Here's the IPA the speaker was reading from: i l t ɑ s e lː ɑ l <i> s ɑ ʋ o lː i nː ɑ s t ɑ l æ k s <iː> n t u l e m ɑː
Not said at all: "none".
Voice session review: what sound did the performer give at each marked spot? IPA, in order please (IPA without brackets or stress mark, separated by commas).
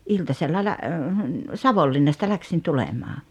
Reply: æ, i